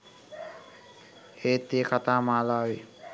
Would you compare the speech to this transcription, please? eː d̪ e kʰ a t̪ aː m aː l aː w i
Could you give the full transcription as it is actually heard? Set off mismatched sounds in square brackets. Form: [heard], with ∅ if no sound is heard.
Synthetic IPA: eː [t̪] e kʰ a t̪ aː m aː l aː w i